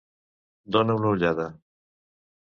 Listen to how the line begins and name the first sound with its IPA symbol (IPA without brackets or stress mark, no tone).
d̪